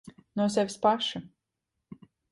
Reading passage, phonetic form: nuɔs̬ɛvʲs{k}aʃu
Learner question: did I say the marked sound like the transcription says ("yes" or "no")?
no